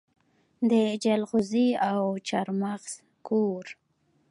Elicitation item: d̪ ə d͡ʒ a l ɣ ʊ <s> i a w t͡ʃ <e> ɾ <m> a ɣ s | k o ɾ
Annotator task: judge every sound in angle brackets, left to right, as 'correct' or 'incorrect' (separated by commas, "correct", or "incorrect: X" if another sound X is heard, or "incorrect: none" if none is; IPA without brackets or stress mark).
incorrect: z, incorrect: a, correct